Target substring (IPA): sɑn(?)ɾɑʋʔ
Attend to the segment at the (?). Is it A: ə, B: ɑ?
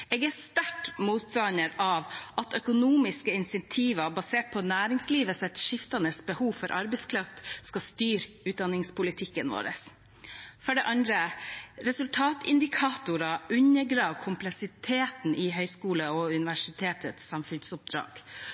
A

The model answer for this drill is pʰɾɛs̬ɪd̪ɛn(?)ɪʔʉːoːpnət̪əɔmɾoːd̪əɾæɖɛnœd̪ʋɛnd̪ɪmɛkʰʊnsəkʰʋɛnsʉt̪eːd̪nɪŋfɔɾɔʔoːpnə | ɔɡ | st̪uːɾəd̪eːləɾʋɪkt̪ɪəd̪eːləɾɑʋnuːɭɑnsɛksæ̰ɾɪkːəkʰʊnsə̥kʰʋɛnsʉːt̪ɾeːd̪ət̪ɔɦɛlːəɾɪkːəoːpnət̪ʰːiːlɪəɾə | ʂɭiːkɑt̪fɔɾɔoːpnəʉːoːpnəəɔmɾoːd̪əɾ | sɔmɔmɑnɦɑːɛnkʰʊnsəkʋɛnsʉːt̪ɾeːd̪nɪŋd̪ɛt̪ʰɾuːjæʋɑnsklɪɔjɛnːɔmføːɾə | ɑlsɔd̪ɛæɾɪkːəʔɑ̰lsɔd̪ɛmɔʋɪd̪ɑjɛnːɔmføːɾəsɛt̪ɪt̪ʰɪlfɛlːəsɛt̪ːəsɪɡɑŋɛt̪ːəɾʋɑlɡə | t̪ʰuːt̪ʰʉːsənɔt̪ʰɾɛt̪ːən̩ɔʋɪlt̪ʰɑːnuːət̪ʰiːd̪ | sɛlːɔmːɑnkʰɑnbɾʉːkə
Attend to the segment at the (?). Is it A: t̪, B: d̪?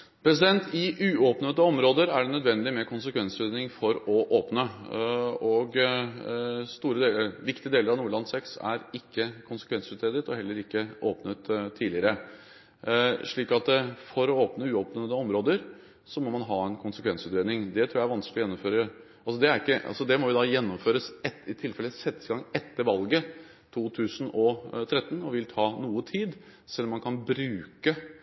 A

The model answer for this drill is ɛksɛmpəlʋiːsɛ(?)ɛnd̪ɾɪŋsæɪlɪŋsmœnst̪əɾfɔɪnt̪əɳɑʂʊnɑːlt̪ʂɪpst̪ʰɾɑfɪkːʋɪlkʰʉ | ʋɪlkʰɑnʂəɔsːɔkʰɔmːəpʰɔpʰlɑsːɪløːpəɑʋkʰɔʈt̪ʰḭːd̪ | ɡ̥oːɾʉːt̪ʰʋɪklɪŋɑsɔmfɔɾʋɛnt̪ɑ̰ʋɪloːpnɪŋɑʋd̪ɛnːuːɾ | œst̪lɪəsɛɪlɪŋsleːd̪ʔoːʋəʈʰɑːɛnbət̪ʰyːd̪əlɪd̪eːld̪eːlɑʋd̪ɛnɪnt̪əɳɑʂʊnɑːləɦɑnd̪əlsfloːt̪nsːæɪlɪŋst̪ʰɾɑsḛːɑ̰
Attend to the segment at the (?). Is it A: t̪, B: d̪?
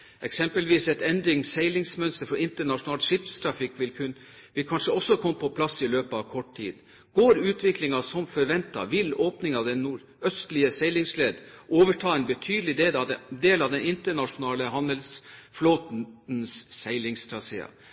A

